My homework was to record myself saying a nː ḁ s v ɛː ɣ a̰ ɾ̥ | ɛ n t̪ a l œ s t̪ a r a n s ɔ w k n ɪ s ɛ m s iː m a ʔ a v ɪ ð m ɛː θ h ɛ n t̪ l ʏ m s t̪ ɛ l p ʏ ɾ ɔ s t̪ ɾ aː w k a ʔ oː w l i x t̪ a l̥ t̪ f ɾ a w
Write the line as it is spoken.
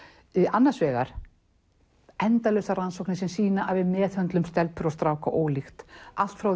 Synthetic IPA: a nː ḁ s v ɛː ɣ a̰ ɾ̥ | ɛ n t̪ a l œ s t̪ a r a n s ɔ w k n ɪ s ɛ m s iː n a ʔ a v ɪ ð m ɛː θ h œ n t̪ l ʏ m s t̪ ɛ l p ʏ ɾ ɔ s t̪ ɾ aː w k a ʔ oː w l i x t̪ a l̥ t̪ f ɾ a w